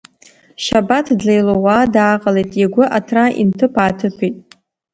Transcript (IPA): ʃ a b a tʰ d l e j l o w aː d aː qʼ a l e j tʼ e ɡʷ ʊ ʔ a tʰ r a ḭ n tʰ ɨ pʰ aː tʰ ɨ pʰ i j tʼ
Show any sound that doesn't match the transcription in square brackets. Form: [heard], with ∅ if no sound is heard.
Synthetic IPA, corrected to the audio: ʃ a b a tʰ d l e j l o w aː d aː qʼ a l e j tʼ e ɡʷ ʊ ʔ a tʰ r a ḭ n tʰ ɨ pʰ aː tʰ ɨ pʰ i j tʼ